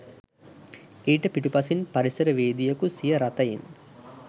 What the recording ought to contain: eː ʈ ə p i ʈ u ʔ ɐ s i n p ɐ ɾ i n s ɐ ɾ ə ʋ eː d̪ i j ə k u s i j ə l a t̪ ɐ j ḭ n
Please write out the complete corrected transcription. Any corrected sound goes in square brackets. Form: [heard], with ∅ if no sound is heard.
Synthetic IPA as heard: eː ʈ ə p i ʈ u [p] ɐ s i n p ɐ ɾ i [∅] s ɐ ɾ ə ʋ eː d̪ i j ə k u s i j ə [ɾ] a t̪ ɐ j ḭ n